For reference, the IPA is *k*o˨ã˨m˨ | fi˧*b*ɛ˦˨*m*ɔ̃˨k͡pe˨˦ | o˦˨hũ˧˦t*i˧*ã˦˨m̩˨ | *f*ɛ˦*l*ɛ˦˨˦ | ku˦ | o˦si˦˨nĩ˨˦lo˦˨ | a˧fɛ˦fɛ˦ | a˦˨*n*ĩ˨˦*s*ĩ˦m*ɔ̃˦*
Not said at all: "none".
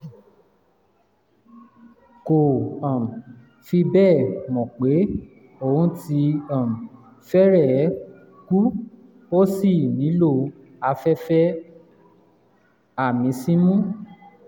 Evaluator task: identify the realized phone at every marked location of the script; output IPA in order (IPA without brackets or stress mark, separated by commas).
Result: k, b, m, i˧, f, ɾ, m, s, ũ˦